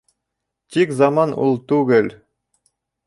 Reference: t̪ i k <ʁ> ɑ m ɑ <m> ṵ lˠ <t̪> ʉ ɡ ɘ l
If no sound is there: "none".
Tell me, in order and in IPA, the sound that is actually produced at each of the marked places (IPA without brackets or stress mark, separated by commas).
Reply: z, n, t̪